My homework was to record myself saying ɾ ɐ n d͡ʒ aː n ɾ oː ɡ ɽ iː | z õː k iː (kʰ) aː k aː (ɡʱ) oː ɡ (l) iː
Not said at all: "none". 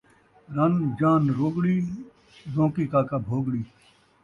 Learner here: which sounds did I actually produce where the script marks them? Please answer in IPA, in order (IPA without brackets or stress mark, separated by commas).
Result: k, bʱ, ɽ